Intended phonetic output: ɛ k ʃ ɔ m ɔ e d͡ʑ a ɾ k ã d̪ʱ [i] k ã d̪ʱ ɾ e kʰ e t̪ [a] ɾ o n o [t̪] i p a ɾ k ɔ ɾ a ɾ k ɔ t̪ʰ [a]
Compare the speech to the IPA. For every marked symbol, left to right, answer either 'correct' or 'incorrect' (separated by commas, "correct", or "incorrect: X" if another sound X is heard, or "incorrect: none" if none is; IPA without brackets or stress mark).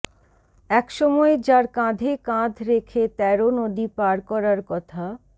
incorrect: e, incorrect: ɛ, incorrect: d̪, correct